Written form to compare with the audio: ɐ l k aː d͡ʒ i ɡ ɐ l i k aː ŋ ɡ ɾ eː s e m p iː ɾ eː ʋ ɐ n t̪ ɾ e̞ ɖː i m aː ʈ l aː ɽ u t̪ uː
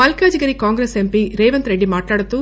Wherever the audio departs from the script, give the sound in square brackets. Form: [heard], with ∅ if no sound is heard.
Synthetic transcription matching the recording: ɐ l k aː d͡ʒ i ɡ ɐ [ɾ] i k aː ŋ ɡ ɾ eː s e m p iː ɾ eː ʋ ɐ n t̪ ɾ e̞ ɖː i m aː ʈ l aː ɽ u t̪ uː